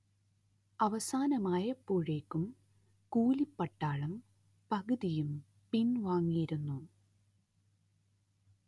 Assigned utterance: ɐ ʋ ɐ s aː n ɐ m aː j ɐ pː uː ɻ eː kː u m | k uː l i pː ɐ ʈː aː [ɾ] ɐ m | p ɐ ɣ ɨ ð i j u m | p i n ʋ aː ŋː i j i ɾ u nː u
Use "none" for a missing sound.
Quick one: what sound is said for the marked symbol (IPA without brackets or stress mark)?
ɭ